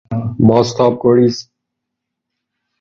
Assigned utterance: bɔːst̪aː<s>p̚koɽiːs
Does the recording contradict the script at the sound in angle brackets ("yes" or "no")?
yes